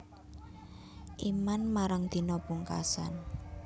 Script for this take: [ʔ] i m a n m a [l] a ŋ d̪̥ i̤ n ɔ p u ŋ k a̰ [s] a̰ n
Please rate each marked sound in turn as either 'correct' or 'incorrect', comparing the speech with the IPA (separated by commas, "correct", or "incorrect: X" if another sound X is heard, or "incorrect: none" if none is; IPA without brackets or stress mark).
correct, incorrect: ɾ, correct